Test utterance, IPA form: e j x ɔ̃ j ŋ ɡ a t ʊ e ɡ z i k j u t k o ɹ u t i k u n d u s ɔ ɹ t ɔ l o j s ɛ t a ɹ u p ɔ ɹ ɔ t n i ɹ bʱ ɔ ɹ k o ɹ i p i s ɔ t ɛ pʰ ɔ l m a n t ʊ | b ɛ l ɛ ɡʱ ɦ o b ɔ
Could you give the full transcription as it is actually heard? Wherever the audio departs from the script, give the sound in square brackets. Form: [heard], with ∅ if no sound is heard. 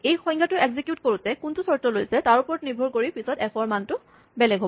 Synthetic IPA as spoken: e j x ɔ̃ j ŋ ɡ a t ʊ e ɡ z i k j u t k o ɹ u t [ɛ] k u n [t] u s ɔ ɹ t ɔ l o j s ɛ t a ɹ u p ɔ ɹ ɔ t n i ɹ bʱ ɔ ɹ k o ɹ i p i s ɔ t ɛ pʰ ɔ [ɹ] m a n t ʊ | b ɛ l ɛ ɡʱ ɦ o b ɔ